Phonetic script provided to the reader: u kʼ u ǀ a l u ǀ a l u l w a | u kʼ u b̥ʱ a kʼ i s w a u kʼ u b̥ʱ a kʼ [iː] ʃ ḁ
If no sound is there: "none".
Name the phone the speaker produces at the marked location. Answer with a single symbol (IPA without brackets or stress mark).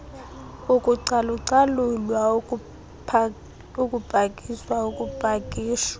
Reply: iː